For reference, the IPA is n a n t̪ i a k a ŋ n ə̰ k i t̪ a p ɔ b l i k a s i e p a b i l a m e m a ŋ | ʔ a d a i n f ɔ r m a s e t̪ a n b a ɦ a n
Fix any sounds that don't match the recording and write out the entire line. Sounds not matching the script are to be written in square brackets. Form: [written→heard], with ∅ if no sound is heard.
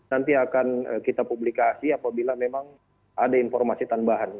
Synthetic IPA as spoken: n a n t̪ i a k a [ŋ→∅] n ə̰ k i t̪ a p [ɔ→u] b l i k a s i [e→a] p a b i l a m e m a ŋ | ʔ a d a i n f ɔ r m a s [e→i] t̪ a n b a ɦ a n